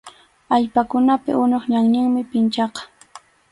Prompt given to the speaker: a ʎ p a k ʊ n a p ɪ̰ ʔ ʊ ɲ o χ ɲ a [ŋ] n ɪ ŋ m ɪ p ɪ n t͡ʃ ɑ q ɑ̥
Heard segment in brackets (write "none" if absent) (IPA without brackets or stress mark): ŋ